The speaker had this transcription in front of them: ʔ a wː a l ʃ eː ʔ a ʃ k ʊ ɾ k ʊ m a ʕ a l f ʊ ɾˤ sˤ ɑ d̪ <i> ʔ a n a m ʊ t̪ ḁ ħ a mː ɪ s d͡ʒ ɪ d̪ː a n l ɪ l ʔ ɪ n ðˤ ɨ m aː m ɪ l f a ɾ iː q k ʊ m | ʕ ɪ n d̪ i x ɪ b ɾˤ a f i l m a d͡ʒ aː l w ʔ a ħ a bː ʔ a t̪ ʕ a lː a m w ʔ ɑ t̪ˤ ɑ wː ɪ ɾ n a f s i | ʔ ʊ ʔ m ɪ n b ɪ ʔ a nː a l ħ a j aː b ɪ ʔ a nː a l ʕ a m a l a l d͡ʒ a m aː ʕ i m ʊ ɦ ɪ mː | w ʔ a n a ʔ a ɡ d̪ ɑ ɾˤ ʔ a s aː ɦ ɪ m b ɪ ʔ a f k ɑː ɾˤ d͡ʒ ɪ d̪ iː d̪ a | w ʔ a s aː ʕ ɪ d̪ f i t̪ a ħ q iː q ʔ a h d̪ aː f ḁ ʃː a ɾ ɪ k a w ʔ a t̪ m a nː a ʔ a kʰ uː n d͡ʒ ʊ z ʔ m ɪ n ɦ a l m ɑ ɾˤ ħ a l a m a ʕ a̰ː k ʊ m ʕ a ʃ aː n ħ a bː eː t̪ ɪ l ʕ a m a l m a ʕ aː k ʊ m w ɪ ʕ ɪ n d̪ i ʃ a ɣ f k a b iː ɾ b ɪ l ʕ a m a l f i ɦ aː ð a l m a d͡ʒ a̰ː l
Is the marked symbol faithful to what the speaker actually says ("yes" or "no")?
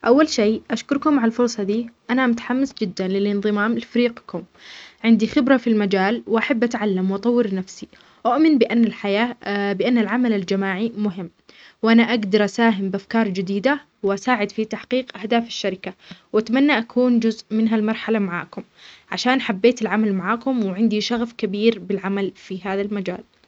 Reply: no